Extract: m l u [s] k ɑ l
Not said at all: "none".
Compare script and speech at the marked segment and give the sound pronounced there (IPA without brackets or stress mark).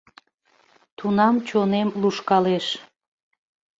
ʃ